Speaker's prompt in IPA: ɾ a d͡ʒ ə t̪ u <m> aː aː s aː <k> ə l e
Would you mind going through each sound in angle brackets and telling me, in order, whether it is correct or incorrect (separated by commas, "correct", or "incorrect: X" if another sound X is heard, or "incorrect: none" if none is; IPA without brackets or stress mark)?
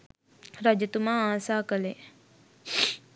correct, correct